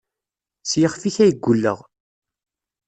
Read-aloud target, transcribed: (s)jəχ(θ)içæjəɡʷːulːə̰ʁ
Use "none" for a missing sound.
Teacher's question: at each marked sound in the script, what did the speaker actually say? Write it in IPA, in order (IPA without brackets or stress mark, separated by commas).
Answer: s, f